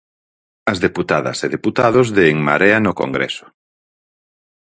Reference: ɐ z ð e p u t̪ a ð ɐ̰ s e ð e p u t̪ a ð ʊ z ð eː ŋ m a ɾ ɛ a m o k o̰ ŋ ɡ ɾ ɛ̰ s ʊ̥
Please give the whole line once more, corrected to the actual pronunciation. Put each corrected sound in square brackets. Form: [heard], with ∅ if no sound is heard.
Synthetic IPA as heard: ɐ z ð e p u t̪ a ð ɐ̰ s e ð e p u t̪ a ð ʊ z ð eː ŋ m a ɾ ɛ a [n] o k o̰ ŋ ɡ ɾ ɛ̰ s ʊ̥